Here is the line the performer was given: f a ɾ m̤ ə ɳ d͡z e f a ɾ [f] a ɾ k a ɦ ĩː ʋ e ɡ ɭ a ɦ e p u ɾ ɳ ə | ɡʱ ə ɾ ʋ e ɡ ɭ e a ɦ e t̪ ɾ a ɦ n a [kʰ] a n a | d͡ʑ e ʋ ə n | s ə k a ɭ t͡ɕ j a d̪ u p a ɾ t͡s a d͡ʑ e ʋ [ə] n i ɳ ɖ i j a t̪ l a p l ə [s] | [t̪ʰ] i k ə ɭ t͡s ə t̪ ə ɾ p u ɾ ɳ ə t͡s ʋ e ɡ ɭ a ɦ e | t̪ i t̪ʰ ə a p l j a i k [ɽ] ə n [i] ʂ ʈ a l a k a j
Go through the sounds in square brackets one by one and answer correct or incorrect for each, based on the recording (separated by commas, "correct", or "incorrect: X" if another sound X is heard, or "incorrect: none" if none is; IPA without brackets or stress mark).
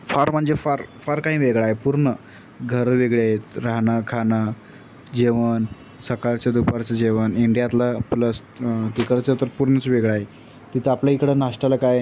correct, correct, correct, correct, incorrect: t̪, correct, incorrect: a